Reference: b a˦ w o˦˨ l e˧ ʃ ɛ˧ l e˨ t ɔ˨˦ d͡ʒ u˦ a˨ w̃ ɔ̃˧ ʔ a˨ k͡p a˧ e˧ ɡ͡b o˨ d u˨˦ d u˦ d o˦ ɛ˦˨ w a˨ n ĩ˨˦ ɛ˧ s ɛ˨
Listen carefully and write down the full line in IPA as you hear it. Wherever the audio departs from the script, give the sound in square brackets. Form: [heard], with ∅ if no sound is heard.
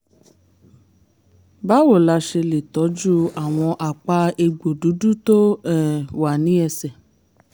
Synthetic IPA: b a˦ w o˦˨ l [a˧] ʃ [e˧] l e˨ t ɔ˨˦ d͡ʒ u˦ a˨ w̃ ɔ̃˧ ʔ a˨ k͡p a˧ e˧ ɡ͡b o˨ d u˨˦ d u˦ [t] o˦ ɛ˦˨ w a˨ n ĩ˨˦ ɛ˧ s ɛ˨